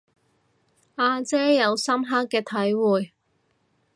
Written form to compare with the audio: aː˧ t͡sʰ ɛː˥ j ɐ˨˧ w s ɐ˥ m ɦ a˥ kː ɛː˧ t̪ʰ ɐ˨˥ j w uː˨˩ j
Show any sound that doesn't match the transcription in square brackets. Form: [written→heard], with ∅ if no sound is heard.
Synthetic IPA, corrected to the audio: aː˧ [t͡sʰ→t͡s] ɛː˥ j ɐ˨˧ w s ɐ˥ m ɦ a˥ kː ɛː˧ t̪ʰ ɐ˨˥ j w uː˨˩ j